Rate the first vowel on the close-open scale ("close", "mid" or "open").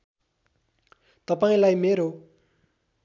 mid